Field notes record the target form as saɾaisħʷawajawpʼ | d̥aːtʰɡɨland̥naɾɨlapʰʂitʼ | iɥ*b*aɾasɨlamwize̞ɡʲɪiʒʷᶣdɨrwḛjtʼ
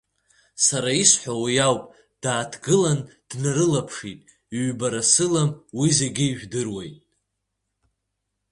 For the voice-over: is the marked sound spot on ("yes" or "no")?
yes